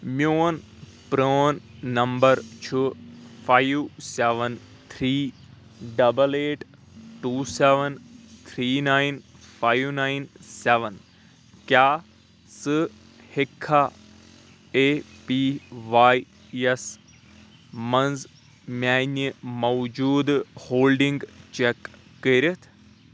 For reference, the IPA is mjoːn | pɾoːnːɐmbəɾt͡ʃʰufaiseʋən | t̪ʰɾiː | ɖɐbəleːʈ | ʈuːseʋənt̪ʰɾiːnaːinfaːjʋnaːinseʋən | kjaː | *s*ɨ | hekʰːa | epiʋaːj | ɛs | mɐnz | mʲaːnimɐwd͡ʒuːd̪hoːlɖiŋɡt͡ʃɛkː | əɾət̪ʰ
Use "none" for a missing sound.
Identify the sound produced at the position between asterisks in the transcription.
s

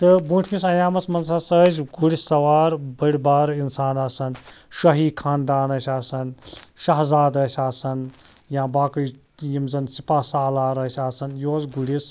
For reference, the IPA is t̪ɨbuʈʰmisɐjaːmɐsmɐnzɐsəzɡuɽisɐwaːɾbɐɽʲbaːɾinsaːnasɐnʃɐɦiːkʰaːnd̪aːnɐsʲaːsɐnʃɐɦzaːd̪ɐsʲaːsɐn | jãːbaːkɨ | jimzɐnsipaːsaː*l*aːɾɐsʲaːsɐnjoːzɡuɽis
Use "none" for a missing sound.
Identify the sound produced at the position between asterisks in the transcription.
l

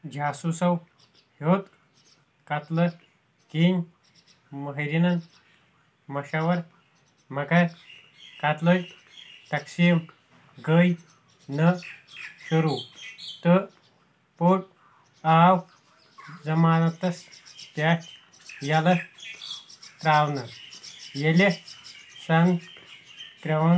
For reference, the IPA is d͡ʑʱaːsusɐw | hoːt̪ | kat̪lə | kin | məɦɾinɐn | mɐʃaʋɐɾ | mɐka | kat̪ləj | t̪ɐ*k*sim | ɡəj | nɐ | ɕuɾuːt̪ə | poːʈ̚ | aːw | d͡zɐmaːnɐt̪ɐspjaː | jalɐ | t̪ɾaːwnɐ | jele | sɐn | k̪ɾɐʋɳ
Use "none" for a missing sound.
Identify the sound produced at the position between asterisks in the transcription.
k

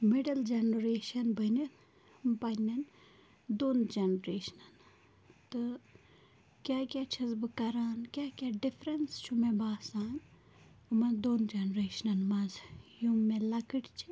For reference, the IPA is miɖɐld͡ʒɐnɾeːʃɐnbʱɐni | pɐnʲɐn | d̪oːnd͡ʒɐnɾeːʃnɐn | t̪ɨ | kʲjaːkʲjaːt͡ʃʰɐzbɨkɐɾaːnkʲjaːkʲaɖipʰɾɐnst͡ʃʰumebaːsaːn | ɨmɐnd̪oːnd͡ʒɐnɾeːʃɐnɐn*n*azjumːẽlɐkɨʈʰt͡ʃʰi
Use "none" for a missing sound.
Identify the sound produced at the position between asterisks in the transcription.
m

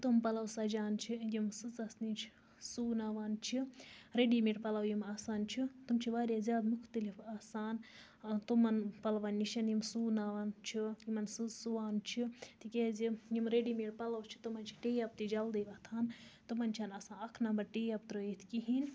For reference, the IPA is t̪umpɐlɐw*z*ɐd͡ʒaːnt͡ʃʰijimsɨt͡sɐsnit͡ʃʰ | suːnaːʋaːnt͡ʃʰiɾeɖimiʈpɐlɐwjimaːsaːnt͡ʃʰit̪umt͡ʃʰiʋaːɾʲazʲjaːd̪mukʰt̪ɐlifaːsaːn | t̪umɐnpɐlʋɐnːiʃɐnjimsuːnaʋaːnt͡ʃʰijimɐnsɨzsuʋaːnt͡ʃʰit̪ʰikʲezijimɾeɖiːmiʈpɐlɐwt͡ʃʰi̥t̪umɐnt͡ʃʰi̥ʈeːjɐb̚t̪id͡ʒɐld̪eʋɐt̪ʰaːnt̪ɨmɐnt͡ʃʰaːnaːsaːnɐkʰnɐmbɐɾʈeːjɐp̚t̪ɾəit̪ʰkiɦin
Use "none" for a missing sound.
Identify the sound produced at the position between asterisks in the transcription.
s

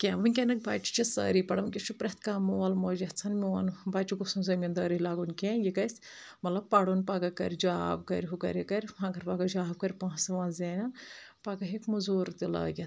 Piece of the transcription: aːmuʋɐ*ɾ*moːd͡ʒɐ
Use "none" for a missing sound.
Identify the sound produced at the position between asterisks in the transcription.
l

